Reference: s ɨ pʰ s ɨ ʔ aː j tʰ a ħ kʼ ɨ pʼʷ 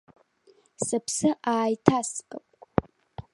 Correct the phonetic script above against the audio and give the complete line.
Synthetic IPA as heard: s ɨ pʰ s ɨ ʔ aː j tʰ a s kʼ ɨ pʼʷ